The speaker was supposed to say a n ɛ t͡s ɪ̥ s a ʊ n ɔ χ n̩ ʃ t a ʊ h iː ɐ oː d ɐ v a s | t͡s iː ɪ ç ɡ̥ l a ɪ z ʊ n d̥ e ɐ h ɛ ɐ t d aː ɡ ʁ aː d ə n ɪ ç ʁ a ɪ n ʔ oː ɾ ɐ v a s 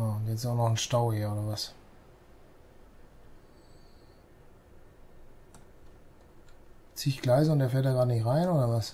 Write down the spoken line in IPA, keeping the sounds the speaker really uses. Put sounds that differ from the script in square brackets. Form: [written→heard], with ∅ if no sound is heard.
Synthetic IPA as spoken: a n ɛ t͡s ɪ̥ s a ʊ n ɔ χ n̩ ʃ t a ʊ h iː ɐ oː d ɐ v a s | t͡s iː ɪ ç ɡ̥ l a ɪ z ʊ n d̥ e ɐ [h→f] ɛ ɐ t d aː ɡ ʁ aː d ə n ɪ ç ʁ a ɪ n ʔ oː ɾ ɐ v a s